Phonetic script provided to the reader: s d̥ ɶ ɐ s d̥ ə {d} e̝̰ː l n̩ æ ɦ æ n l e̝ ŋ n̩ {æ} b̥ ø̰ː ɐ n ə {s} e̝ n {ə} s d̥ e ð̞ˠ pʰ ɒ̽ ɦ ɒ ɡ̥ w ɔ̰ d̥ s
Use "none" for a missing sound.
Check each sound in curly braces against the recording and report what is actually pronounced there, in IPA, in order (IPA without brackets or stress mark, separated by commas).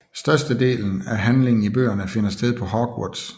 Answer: d, i, f, ɐ